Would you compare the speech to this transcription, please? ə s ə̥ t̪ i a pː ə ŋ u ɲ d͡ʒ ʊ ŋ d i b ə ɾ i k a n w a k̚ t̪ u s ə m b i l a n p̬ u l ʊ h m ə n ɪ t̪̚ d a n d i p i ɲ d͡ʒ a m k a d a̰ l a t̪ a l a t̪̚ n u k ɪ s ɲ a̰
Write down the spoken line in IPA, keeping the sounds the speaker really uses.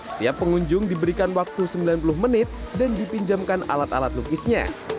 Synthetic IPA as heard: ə s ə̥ t̪ i a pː ə ŋ u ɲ d͡ʒ ʊ ŋ d i b ə ɾ i k a n w a k̚ t̪ u s ə m b i l a n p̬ u l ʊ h m ə n ɪ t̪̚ d a n d i p i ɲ d͡ʒ a m k a n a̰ l a t̪ a l a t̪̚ n u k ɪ s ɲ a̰